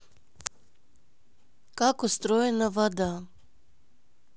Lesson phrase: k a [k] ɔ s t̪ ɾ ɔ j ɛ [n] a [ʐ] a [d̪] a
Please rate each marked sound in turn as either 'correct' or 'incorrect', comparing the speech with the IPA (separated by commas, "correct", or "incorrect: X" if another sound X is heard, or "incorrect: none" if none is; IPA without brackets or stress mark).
correct, correct, incorrect: v, correct